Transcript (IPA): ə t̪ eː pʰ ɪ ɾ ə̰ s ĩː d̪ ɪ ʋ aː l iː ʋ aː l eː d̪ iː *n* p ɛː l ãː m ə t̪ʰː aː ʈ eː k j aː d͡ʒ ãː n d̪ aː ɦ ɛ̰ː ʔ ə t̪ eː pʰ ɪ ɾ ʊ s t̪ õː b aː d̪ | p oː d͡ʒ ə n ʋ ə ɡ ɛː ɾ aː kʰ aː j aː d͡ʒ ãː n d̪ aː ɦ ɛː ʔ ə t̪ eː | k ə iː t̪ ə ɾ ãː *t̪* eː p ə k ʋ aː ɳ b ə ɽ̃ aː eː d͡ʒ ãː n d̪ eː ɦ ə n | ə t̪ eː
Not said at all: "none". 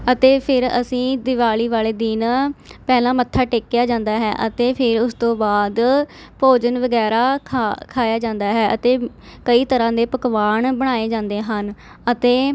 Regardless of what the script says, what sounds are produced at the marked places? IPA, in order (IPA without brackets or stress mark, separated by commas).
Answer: n, d̪